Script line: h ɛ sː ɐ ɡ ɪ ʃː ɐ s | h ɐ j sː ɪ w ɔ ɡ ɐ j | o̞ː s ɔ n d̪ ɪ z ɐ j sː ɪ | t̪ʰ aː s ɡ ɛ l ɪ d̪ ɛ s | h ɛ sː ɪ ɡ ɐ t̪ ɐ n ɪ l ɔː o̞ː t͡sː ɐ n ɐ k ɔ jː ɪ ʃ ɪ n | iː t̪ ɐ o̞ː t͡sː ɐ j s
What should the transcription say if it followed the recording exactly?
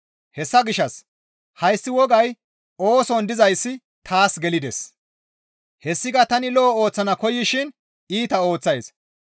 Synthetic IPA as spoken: h ɛ sː ɐ ɡ ɪ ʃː ɐ s | h ɐ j sː ɪ w ɔ ɡ ɐ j | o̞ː s ɔ n d̪ ɪ z ɐ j sː ɪ | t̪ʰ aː s ɡ ɛ l ɪ d̪ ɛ s | h ɛ sː ɪ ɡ ɐ t̪ ɐ n ɪ l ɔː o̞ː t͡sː ɐ n ɐ k ɔ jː ɪ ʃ ɪ n | iː t̪ ɐ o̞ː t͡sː ɐ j s